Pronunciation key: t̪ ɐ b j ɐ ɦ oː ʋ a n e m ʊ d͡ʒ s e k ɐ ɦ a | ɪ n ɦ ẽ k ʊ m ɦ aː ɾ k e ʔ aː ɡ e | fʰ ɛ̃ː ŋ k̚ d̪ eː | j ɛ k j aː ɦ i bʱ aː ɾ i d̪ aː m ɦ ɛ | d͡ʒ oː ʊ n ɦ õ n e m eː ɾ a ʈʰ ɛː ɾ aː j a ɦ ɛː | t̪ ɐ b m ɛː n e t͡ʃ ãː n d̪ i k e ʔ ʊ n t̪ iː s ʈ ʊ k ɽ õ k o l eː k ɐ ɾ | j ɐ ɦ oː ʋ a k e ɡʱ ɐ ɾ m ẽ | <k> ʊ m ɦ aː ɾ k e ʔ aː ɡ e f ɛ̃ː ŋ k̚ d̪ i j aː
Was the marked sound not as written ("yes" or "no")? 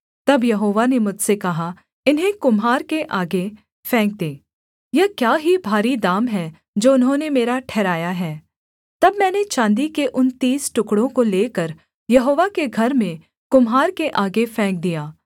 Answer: no